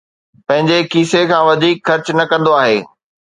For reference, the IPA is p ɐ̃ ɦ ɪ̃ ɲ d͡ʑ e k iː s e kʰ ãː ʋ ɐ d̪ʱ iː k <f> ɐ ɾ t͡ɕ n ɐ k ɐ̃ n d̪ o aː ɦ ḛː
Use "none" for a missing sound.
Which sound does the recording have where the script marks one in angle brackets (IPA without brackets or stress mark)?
x